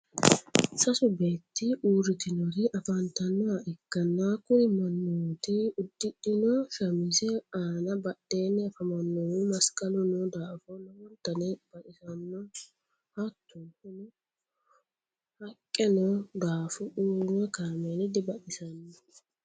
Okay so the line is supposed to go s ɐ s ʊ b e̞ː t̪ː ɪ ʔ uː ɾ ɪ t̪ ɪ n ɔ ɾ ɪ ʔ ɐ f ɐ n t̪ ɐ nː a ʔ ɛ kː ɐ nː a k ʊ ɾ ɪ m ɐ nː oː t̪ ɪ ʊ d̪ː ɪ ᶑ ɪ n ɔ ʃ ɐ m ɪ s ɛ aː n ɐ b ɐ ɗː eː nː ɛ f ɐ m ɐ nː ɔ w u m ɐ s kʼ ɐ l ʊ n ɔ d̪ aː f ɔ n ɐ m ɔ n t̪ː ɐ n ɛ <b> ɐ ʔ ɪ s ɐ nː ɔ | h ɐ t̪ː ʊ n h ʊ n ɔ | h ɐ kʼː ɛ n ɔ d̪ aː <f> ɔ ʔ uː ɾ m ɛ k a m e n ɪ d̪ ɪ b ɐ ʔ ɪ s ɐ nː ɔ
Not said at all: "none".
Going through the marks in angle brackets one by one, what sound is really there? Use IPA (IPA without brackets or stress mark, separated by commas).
b, f